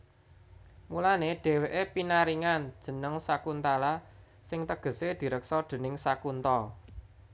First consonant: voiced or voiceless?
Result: voiced